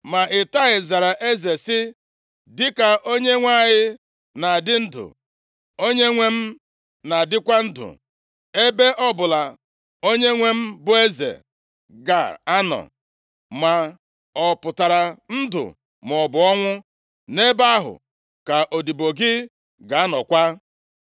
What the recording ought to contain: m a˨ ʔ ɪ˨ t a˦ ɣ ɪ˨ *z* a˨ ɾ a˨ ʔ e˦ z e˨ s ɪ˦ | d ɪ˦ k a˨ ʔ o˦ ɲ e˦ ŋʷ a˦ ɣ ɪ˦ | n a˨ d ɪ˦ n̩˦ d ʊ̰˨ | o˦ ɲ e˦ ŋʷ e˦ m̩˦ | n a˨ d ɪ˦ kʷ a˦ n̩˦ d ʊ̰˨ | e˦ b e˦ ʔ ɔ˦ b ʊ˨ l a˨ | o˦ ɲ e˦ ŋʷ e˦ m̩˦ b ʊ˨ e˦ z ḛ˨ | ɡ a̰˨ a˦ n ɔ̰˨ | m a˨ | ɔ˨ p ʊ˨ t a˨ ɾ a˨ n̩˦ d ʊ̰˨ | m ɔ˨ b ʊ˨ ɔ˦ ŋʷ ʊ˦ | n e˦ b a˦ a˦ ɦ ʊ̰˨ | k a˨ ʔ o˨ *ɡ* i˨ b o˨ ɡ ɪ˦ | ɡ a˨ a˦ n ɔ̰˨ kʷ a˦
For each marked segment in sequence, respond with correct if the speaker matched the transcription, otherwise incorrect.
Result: correct, incorrect

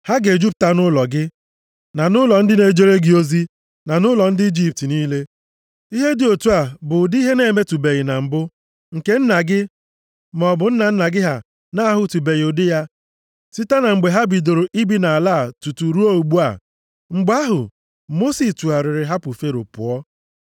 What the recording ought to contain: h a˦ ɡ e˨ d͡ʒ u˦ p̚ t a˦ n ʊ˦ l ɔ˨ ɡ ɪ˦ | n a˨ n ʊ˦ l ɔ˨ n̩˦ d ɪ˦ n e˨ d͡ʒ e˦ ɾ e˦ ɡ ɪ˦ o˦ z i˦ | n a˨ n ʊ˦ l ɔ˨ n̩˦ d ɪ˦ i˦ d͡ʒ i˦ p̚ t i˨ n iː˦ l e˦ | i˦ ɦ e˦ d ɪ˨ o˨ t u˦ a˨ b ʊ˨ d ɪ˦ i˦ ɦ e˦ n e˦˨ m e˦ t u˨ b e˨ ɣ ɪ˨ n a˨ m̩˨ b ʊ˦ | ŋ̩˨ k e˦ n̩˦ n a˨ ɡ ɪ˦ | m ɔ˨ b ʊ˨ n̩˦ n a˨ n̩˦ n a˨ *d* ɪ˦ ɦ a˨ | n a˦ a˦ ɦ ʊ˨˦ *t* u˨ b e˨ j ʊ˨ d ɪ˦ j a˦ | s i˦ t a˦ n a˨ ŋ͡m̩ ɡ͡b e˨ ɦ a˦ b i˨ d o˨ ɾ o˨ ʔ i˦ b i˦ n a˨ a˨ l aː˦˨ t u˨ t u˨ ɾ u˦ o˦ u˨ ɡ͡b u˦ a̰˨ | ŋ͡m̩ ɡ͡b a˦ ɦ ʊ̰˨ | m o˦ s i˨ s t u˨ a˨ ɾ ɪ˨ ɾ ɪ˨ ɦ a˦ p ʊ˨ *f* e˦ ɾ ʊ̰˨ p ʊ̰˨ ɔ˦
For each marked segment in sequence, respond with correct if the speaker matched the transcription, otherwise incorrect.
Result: incorrect, correct, correct

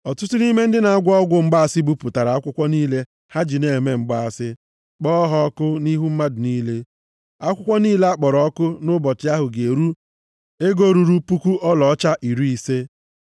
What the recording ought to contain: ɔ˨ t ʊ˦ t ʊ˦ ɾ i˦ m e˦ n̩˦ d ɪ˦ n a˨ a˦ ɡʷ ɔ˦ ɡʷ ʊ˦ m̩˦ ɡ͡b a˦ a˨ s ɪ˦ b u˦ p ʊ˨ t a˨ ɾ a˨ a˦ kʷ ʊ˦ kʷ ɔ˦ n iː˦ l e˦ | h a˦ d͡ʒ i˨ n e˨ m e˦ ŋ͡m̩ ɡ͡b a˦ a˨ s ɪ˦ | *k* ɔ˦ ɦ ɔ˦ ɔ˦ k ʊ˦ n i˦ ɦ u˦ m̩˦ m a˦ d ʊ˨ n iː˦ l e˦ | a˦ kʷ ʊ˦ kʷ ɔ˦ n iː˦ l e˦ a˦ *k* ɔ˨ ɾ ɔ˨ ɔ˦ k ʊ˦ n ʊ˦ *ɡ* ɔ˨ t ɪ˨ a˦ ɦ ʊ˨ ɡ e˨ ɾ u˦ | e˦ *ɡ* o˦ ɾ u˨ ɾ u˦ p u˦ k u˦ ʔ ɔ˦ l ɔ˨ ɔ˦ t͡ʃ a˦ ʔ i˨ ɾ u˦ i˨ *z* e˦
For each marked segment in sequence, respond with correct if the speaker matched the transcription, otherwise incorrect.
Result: incorrect, incorrect, incorrect, correct, incorrect

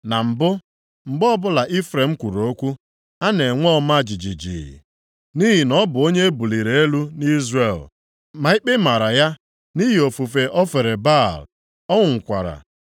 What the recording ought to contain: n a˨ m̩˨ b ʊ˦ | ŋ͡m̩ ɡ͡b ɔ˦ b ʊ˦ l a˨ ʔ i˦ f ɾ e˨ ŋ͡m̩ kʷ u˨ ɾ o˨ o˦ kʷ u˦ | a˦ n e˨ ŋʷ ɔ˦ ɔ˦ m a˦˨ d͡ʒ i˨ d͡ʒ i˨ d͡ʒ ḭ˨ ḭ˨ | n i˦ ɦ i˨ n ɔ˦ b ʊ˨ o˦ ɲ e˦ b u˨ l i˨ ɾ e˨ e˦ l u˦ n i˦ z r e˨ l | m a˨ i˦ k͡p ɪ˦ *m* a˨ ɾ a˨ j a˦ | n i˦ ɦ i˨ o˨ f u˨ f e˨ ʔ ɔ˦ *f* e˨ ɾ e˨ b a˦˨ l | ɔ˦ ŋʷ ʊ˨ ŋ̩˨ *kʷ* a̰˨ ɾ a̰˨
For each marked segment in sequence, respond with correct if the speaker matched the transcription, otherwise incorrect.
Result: correct, correct, correct

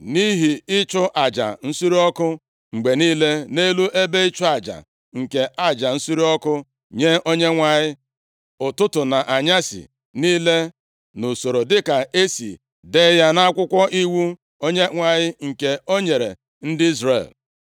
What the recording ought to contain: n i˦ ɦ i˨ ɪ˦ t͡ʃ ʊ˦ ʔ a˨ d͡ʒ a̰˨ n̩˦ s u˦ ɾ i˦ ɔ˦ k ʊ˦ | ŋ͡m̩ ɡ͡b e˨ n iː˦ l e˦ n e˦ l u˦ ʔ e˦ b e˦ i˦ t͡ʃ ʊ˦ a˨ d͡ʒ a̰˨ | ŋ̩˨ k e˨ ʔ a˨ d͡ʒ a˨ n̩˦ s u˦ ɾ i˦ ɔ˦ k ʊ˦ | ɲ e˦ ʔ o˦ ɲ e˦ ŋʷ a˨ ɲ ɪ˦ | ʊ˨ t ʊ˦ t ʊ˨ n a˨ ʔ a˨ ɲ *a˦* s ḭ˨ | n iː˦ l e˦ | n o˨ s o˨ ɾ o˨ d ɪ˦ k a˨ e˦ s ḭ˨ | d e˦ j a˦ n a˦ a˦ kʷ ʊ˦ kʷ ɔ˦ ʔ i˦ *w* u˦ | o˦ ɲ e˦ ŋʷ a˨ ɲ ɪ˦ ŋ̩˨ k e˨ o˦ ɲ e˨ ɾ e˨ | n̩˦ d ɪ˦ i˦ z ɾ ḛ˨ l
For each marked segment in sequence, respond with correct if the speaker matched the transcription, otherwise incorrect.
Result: correct, correct

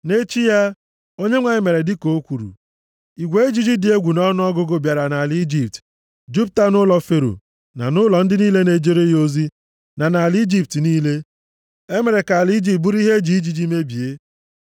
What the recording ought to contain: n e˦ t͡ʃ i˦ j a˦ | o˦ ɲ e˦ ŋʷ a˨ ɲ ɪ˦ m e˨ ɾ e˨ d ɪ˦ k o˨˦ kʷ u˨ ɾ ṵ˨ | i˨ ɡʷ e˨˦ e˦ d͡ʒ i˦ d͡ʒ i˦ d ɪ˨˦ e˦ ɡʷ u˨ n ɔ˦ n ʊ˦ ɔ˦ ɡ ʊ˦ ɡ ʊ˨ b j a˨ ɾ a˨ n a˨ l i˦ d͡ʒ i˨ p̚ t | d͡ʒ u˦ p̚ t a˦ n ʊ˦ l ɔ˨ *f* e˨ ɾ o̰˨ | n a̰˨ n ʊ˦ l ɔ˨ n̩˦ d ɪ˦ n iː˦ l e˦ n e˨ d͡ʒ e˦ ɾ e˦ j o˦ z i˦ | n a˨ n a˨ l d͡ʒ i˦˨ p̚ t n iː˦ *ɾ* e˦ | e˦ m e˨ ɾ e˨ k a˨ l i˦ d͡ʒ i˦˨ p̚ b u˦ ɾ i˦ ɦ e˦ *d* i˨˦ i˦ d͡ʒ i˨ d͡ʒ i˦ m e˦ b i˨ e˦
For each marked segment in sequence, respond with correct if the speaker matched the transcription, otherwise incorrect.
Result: correct, incorrect, incorrect

